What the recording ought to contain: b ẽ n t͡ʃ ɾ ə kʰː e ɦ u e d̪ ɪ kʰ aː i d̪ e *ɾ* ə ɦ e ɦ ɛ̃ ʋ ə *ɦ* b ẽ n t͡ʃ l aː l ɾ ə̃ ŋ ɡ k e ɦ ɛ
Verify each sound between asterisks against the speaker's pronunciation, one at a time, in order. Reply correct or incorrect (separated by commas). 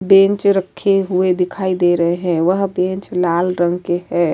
correct, correct